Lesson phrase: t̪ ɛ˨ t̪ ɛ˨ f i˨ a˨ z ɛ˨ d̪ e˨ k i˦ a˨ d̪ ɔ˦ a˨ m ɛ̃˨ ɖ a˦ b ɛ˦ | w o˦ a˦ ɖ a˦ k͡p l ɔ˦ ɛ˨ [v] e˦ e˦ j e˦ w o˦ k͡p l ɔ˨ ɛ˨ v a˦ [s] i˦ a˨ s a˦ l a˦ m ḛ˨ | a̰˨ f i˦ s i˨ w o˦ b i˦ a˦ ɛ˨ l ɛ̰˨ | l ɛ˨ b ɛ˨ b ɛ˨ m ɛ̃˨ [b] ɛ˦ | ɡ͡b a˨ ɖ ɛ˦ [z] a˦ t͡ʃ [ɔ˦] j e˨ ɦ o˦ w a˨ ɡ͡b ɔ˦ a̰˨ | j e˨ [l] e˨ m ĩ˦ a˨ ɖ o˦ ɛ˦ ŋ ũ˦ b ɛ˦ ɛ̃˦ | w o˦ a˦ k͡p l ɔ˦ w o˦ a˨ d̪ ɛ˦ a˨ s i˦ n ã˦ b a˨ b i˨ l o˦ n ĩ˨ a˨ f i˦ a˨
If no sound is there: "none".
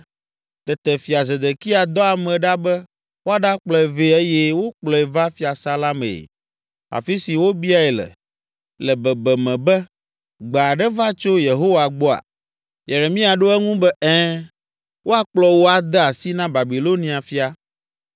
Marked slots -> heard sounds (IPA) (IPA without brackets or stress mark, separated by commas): v, f, b, v, o˦, ɾ